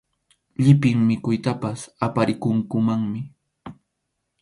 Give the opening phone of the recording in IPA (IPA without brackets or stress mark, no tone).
ʎ